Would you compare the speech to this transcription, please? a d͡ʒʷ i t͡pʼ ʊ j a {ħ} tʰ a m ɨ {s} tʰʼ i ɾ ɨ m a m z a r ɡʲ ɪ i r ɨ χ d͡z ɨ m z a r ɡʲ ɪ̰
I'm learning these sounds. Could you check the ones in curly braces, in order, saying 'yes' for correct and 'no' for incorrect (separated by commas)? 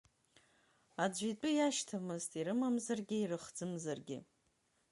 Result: no, no